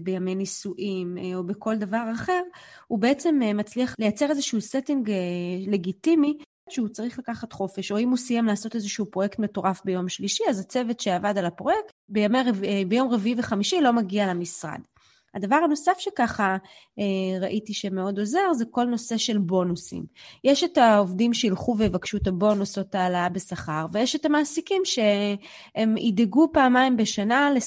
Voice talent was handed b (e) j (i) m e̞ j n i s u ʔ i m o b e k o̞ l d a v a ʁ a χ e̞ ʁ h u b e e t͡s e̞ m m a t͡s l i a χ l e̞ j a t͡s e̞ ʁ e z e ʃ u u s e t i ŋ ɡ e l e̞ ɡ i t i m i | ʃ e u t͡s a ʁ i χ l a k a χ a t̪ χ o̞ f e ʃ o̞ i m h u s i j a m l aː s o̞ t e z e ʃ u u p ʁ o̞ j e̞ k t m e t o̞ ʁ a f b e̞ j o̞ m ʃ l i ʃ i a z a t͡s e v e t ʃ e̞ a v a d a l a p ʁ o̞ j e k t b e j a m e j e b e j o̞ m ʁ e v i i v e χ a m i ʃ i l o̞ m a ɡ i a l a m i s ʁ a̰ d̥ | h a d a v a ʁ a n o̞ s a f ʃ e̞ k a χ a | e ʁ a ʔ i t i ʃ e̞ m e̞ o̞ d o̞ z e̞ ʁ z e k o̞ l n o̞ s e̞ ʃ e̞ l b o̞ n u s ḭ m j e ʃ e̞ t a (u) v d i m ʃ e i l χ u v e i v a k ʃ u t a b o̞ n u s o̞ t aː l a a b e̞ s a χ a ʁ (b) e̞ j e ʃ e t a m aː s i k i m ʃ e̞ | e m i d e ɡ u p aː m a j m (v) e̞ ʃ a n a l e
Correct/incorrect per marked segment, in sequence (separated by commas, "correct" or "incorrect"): correct, incorrect, incorrect, incorrect, incorrect